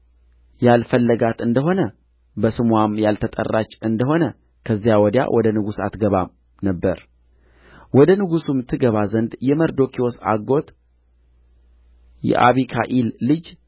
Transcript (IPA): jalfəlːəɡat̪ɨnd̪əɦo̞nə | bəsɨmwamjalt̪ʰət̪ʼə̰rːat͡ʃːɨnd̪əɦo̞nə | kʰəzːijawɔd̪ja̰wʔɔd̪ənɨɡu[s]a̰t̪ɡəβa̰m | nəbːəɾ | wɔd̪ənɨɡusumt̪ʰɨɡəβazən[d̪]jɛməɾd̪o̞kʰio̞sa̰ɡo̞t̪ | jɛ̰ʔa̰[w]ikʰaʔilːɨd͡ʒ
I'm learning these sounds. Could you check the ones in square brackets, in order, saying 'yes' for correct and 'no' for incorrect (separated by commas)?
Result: yes, yes, no